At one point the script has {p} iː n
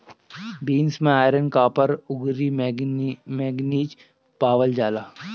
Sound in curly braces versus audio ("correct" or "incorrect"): incorrect